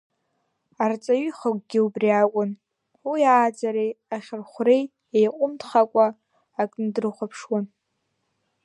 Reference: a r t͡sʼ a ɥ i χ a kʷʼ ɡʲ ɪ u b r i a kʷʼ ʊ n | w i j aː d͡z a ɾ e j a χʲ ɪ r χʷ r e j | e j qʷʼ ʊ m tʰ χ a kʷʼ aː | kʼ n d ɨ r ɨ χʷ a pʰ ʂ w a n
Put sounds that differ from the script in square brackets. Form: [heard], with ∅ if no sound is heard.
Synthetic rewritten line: a r t͡sʼ a ɥ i χ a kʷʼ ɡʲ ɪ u b r i a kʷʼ ʊ n | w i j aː d͡z a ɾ e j a χʲ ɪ r χʷ r e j | e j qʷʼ ʊ m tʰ χ a kʷʼ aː | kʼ n d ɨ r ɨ χʷ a pʰ ʂ w a n